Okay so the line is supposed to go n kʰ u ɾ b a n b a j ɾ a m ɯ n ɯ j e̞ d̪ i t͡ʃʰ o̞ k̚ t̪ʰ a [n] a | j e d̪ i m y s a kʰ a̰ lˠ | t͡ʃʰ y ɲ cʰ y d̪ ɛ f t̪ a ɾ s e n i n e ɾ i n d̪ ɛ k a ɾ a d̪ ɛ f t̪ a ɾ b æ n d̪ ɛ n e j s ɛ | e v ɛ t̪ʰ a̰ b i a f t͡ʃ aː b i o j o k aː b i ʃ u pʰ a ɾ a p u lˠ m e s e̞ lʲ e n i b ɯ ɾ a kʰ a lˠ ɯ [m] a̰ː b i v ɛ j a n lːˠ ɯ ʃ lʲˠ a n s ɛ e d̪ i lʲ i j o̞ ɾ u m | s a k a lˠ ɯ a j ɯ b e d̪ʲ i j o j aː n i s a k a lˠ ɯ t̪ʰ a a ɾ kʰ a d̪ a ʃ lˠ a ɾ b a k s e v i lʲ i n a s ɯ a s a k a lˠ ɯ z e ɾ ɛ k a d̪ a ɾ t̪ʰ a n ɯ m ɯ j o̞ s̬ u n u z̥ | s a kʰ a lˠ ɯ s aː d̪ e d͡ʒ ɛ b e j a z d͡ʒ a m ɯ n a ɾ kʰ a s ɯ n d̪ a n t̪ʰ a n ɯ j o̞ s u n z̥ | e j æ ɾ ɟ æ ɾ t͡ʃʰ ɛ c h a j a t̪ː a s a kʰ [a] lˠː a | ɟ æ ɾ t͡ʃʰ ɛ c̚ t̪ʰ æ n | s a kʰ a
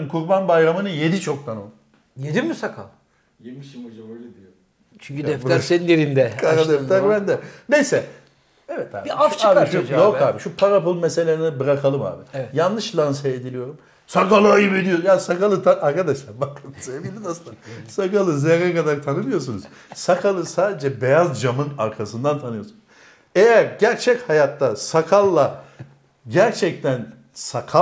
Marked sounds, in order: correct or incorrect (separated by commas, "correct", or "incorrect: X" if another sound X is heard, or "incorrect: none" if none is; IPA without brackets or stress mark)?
correct, correct, correct